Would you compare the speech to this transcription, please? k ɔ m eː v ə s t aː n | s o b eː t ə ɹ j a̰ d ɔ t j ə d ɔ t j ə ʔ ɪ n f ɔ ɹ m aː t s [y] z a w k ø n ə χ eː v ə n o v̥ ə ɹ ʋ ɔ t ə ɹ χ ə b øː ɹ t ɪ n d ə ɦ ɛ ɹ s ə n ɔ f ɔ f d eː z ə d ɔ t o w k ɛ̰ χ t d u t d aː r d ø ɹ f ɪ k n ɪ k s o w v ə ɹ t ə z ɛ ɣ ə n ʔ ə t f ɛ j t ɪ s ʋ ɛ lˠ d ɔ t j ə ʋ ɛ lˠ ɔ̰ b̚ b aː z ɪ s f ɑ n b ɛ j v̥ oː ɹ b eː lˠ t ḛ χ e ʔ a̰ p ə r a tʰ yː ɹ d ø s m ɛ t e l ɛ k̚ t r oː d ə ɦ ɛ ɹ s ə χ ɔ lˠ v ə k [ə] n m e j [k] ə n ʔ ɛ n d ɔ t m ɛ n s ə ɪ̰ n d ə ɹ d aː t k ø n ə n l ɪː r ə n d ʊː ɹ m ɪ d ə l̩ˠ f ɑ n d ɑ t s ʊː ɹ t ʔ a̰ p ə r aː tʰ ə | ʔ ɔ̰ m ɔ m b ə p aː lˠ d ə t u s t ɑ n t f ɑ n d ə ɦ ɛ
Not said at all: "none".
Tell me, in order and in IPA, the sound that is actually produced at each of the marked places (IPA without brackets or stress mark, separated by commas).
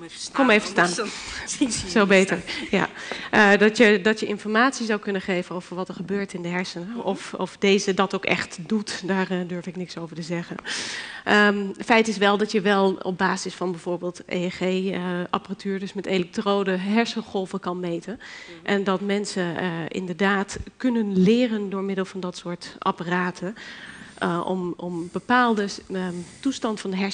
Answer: i, ɑ, t